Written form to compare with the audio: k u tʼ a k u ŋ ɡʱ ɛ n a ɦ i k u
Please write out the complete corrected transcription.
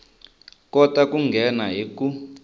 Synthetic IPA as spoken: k ɔ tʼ a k u ŋ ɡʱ ɛ n a ɦ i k u